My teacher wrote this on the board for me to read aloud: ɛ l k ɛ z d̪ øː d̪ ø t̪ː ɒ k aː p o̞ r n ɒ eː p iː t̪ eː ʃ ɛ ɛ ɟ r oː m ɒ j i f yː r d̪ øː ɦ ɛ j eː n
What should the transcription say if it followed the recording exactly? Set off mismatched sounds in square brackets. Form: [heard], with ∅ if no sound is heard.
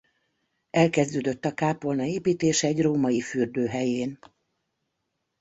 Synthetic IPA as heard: ɛ l k ɛ z d̪ øː d̪ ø t̪ː ɒ k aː p o̞ [l] n ɒ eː p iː t̪ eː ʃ ɛ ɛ ɟ r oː m ɒ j i f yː r d̪ øː ɦ ɛ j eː n